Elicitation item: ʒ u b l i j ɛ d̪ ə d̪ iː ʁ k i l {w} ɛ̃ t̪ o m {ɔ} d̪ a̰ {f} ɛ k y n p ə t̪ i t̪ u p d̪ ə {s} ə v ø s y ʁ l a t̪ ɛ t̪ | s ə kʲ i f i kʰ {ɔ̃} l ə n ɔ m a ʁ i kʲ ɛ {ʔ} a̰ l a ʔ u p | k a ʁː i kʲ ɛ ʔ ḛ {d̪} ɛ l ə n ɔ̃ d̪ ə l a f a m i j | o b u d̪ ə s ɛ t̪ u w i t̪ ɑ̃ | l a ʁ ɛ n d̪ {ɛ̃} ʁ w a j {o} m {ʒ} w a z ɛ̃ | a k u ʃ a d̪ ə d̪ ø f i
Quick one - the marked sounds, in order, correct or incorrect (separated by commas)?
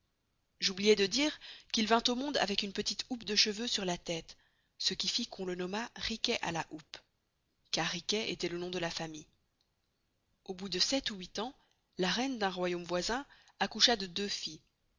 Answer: incorrect, incorrect, incorrect, incorrect, correct, correct, incorrect, correct, correct, incorrect